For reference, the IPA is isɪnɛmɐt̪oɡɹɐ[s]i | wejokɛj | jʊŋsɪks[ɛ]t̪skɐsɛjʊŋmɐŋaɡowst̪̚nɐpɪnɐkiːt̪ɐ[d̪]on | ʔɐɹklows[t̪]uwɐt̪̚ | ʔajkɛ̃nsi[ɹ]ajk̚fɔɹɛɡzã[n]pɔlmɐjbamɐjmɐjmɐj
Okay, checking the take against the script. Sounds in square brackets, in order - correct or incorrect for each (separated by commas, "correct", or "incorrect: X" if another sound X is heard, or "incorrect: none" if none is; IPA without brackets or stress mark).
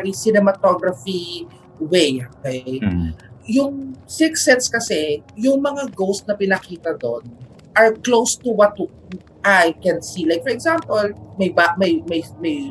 incorrect: f, correct, correct, correct, incorrect: l, incorrect: m